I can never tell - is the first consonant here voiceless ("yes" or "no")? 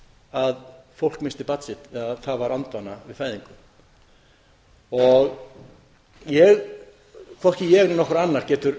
no